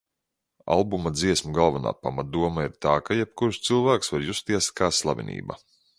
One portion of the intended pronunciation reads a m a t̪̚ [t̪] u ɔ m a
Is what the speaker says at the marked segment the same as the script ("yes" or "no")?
no